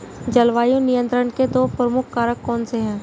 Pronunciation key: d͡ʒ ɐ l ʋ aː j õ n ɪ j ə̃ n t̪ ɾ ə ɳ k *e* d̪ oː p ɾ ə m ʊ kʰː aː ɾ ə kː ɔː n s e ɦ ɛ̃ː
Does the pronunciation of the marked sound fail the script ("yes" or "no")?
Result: no